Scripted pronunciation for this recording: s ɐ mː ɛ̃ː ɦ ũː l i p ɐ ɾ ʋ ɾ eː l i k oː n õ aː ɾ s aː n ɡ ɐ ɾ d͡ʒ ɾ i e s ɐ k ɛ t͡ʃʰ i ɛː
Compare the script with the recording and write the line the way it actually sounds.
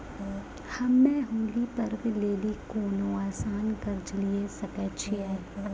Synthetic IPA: h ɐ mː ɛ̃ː ɦ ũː l i p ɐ ɾ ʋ l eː l i k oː n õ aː s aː n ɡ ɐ ɾ d͡ʒ l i e s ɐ k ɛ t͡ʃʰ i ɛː